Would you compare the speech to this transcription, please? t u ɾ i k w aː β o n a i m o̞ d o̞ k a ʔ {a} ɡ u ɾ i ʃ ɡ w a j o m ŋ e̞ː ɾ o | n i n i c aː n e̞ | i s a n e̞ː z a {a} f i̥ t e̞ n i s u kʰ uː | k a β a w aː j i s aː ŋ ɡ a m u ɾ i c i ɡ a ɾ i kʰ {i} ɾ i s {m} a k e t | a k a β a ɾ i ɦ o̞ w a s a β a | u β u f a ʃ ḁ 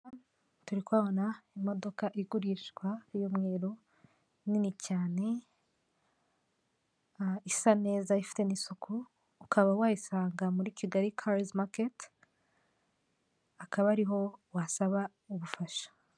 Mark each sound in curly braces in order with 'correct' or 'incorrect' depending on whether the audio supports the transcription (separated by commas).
incorrect, incorrect, incorrect, correct